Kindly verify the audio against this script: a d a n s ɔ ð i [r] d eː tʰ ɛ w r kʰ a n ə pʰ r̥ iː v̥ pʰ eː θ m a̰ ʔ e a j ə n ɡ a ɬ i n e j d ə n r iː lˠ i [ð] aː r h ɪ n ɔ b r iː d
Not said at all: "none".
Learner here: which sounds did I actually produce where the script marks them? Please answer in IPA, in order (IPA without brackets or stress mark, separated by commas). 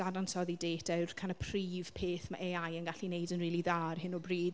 none, ð